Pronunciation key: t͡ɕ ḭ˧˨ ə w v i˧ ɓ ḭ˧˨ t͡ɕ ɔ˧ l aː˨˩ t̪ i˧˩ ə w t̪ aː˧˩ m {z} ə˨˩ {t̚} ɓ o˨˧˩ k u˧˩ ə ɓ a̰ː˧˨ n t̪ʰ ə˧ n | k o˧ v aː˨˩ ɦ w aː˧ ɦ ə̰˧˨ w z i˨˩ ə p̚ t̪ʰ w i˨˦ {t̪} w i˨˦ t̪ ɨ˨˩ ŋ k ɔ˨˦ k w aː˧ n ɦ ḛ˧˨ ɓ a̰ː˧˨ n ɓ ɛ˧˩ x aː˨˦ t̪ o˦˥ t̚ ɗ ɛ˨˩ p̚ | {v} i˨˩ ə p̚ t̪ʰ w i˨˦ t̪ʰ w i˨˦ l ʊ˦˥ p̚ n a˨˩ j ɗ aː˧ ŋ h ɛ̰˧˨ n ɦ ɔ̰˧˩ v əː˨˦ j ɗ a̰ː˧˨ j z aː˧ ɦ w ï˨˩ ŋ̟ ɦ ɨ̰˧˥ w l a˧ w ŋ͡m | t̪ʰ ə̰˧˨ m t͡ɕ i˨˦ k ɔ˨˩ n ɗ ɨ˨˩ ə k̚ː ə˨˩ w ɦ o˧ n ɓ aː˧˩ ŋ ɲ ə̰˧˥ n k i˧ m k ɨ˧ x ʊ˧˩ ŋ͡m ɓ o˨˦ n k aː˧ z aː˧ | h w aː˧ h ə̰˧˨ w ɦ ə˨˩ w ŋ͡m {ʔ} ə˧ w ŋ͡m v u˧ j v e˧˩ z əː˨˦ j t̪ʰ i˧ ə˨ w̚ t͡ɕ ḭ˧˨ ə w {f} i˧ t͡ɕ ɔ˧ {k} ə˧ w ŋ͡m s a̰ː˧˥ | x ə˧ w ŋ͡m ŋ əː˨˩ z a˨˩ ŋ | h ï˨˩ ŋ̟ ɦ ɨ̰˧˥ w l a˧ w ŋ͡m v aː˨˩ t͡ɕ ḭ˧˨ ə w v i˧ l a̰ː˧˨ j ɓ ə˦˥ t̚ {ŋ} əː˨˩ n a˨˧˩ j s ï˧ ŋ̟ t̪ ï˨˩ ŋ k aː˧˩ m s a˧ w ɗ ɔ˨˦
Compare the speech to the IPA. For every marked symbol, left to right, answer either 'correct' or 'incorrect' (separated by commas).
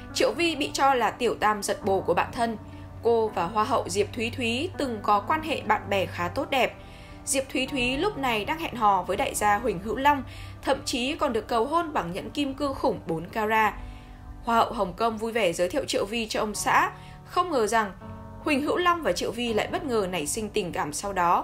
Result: correct, correct, incorrect, incorrect, incorrect, incorrect, incorrect, correct